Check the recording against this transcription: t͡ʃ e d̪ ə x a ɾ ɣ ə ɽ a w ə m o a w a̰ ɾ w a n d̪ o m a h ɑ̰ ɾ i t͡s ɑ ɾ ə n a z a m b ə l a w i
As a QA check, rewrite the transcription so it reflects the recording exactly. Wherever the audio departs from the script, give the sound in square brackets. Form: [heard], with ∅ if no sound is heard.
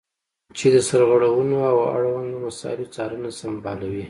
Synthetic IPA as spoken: t͡ʃ e d̪ ə [s] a ɾ ɣ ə ɽ a w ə [n] o a w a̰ [ɽ] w a n d̪ o m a [s] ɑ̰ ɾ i t͡s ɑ ɾ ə n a [s] a m b [ɑ] l a w i